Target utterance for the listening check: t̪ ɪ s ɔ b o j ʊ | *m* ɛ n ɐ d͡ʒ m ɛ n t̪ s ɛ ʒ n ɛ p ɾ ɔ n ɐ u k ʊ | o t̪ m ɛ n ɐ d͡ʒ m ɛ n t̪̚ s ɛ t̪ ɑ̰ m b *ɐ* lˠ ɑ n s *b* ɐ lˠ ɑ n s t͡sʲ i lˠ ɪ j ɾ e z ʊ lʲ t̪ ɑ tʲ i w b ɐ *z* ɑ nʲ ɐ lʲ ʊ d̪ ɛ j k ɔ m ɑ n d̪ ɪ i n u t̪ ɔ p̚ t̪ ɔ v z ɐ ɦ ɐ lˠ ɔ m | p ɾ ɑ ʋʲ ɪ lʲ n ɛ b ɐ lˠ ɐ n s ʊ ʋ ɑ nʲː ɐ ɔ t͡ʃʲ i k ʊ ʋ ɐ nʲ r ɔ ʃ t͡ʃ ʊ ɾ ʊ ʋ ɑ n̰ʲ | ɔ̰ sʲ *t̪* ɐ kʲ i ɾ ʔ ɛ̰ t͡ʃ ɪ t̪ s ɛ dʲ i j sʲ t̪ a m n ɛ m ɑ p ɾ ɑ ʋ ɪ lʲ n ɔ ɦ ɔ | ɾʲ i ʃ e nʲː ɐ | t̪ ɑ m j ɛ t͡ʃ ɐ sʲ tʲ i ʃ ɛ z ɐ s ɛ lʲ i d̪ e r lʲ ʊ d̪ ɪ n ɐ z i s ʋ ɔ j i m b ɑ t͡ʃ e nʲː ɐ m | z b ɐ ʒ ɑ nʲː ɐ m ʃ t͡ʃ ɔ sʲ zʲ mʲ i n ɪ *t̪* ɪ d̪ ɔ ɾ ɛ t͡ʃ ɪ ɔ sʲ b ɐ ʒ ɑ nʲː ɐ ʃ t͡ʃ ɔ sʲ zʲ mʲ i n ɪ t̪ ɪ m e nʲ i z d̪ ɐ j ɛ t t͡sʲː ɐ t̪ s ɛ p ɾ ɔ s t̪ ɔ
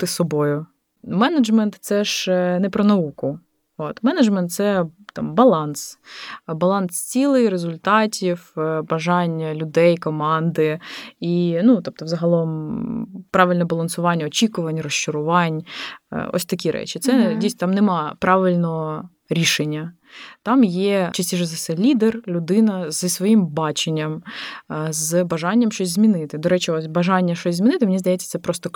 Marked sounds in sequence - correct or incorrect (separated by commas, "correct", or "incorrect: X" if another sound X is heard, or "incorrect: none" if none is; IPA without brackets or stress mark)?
correct, correct, correct, incorrect: ʒ, correct, correct